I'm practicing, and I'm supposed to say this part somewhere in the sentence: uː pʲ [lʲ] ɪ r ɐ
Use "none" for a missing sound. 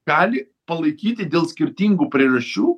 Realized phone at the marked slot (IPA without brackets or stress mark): ɾʲ